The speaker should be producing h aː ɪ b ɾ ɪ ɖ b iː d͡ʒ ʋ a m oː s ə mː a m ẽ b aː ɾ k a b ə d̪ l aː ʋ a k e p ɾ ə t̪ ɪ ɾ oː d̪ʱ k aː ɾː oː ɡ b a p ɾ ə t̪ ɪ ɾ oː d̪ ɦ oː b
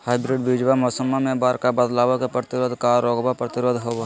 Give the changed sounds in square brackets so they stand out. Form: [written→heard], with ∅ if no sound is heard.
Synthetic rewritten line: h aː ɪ b ɾ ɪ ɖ b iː d͡ʒ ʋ a m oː s ə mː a m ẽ b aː ɾ k a b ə d̪ l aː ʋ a k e p ɾ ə t̪ ɪ ɾ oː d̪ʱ k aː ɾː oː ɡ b a p ɾ ə t̪ ɪ ɾ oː d̪ ɦ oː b